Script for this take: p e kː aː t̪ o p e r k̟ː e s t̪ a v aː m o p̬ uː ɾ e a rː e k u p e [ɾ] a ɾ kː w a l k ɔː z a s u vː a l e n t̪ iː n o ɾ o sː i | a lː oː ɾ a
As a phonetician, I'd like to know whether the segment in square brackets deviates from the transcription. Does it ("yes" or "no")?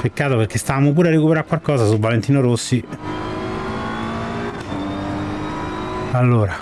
no